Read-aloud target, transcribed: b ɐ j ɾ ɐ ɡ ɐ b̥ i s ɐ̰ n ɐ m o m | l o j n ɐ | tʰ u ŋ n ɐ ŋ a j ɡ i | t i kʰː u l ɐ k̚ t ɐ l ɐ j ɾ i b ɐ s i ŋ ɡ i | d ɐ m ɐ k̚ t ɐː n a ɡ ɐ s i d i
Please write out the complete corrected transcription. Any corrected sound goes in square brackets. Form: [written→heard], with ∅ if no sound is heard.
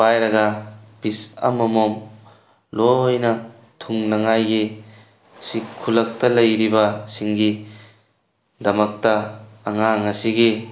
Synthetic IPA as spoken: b [ɐ→a] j ɾ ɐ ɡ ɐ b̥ i s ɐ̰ [n→m] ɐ m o m | l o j n ɐ | tʰ u ŋ n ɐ ŋ a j ɡ i | [t→s] i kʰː u l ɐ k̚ t ɐ l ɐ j ɾ i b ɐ s i ŋ ɡ i | d ɐ m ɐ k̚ t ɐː [n→ŋ] a [ɡ→ŋ] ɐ s i [d→ɡ] i